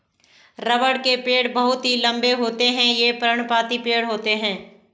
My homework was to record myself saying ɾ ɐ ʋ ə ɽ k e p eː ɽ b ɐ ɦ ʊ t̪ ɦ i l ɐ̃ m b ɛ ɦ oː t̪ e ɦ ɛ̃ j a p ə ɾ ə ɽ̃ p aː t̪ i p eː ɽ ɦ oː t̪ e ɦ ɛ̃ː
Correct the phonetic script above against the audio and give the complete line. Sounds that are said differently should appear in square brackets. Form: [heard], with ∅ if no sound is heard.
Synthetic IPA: ɾ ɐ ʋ ə ɽ k e p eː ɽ b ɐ ɦ ʊ t̪ ɦ i l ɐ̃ m b [e] ɦ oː t̪ e ɦ ɛ̃ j [e] p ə ɾ ə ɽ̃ p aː t̪ i p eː ɽ ɦ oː t̪ e ɦ ɛ̃ː